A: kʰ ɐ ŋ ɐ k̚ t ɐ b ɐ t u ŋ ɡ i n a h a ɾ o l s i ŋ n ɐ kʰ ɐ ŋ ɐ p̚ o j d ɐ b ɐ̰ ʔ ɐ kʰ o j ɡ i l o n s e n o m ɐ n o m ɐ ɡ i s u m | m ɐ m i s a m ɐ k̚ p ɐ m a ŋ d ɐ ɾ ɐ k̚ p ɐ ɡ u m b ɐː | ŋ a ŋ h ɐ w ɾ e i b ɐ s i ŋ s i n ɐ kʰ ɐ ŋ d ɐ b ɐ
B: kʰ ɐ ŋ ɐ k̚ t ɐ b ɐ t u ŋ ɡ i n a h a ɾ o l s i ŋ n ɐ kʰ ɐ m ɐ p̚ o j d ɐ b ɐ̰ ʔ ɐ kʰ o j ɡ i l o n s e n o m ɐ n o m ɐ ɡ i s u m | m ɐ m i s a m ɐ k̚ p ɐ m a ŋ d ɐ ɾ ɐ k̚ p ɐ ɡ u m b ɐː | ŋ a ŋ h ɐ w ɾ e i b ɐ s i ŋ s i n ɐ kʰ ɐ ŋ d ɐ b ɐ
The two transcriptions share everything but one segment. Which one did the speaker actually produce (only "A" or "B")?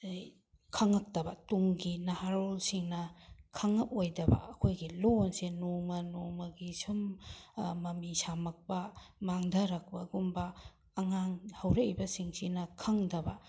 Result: A